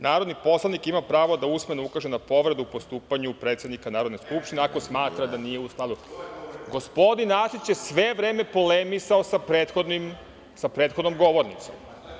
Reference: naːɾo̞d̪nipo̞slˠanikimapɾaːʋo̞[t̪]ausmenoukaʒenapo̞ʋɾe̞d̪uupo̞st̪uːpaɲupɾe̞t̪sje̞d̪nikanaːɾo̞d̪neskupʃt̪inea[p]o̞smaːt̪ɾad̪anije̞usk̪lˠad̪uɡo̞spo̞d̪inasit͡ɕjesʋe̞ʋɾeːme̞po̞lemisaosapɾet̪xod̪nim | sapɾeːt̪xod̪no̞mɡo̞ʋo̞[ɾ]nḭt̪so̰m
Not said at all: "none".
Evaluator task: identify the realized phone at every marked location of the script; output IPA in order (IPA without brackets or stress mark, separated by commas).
d̪, k, ɾ